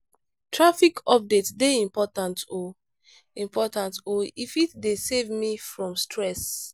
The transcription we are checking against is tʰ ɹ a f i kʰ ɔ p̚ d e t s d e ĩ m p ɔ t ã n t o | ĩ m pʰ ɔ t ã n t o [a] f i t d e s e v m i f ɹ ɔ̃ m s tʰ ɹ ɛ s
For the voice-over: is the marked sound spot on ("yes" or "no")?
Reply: no